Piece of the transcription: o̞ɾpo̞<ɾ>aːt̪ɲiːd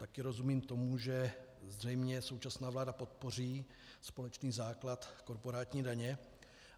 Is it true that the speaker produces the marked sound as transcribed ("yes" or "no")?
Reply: yes